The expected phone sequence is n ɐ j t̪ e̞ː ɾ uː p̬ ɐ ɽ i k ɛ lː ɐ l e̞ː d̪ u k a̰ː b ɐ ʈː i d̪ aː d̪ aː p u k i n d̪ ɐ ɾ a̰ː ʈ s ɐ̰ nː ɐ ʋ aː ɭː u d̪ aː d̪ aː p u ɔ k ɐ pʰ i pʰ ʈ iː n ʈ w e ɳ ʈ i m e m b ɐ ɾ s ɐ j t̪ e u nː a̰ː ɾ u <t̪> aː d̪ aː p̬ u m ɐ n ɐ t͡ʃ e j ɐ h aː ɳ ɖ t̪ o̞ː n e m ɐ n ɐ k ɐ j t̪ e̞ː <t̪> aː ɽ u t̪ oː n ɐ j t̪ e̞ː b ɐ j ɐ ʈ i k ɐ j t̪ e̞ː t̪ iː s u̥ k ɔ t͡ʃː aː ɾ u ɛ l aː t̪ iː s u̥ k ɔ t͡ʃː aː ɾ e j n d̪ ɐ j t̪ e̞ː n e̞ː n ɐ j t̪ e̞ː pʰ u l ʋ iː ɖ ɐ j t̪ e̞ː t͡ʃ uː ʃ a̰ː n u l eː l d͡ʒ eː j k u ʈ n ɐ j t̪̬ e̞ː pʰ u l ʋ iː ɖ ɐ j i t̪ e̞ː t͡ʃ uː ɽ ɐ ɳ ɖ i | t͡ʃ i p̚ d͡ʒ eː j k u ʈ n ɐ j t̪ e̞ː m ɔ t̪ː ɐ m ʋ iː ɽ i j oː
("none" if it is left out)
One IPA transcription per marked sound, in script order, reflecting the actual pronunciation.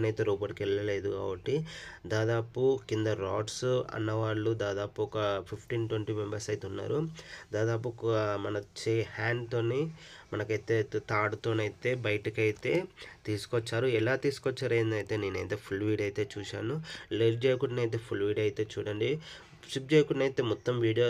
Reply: d̪, t̪

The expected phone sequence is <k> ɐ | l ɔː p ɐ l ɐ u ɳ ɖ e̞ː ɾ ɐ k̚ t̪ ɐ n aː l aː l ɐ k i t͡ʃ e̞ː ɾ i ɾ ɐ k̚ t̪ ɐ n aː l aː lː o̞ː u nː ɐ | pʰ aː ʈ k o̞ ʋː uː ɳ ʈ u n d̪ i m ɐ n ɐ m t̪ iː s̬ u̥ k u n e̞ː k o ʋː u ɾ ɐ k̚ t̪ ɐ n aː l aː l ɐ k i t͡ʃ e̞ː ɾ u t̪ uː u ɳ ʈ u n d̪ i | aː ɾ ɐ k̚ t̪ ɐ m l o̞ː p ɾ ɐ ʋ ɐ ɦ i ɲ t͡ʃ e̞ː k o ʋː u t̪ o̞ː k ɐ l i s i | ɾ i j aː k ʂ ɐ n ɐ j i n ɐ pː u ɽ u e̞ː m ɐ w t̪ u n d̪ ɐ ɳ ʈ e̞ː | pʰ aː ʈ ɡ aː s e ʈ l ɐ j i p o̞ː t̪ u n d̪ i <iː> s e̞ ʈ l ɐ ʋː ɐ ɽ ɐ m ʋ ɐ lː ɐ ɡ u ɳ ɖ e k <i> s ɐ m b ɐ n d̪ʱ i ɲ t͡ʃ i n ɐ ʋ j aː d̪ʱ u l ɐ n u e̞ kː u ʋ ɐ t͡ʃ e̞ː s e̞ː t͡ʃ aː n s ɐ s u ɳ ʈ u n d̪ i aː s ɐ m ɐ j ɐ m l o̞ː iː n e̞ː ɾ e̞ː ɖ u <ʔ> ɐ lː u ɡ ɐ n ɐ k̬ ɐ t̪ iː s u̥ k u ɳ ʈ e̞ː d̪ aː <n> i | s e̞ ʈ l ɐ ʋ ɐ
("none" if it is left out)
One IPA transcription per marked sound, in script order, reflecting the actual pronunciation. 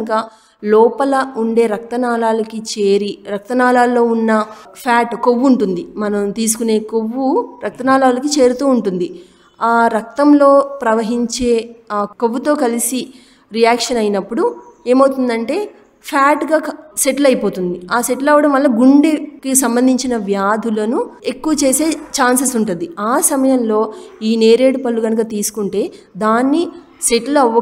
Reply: k, aː, i, p, nː

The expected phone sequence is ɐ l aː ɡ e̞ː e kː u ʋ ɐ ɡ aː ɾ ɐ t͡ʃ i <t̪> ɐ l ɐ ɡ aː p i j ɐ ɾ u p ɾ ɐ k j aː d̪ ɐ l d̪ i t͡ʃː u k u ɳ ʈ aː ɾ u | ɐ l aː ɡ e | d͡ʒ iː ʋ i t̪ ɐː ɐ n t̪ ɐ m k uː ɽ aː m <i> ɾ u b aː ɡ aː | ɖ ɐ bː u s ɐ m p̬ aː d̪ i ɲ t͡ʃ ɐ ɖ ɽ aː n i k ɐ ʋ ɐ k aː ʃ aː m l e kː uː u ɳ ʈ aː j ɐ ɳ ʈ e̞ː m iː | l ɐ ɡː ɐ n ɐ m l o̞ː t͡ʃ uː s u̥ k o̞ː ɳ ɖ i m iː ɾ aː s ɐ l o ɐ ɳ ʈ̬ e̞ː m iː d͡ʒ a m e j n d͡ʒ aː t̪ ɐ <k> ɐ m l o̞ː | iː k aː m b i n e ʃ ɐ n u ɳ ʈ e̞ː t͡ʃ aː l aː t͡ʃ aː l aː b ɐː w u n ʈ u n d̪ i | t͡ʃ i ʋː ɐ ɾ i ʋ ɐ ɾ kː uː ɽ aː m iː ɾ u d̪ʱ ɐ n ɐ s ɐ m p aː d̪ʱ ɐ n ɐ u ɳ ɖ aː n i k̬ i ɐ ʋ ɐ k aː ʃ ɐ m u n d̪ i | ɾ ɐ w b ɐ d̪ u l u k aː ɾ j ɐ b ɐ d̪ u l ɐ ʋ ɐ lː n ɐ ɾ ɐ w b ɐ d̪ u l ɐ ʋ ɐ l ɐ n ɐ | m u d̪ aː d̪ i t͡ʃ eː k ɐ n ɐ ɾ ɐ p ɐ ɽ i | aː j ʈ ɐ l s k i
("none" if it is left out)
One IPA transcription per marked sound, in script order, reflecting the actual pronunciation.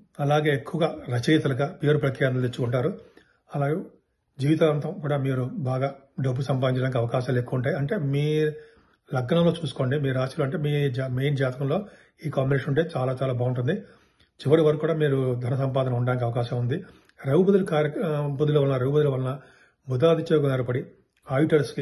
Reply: t̪, iː, k

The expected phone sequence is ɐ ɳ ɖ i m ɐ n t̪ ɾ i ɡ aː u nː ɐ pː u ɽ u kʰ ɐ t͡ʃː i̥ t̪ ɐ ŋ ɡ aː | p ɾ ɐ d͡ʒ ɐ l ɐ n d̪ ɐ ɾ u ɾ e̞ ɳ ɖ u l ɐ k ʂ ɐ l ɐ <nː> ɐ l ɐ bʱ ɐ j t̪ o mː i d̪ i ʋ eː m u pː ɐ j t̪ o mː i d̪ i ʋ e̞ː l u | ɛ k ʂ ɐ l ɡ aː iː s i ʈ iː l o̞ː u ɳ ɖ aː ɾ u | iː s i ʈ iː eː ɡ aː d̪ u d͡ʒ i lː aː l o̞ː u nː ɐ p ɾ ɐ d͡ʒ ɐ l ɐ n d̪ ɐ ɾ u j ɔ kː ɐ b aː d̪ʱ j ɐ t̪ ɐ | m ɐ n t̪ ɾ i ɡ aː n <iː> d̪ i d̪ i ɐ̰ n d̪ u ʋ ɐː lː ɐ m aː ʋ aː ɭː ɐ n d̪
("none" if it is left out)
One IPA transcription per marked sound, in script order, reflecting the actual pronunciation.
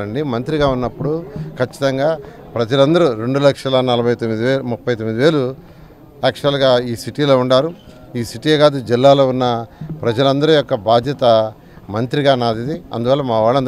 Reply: n, aː

